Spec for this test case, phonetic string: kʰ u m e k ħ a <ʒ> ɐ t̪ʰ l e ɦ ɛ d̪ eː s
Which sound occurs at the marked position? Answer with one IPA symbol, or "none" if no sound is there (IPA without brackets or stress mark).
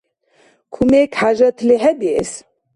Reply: ʒ